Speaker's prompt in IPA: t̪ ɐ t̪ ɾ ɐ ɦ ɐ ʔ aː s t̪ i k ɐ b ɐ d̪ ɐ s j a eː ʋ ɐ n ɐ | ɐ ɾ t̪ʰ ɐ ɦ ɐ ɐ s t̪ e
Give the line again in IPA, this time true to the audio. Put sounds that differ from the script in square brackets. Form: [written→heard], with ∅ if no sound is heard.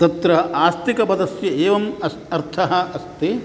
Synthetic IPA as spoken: t̪ ɐ t̪ ɾ ɐ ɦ ɐ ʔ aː s t̪ i k ɐ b ɐ d̪ ɐ s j [a→ɐ] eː ʋ ɐ [n→m] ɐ | ɐ ɾ t̪ʰ ɐ ɦ ɐ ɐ s t̪ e